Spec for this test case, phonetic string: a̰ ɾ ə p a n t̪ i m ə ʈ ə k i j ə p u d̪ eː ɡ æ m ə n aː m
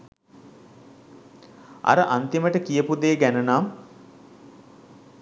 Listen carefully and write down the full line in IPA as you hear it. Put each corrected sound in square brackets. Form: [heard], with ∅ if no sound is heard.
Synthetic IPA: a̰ ɾ ə [ʔ] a n t̪ i m ə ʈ ə k i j ə p u d̪ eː ɡ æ [n] ə n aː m